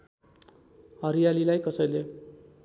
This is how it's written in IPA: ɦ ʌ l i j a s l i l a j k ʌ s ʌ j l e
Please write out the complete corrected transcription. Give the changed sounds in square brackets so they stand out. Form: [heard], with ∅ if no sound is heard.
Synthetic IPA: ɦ ʌ [ɾ] i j a [∅] l i l a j k ʌ s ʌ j l e